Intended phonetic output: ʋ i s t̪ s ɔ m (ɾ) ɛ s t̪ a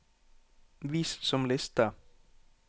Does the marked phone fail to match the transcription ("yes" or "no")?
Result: yes